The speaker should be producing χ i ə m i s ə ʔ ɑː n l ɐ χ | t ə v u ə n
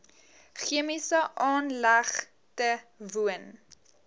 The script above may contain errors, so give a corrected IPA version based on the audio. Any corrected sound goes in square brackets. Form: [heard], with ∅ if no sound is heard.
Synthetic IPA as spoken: χ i ə m i s ə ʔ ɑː n l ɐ χ | t ə v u ə n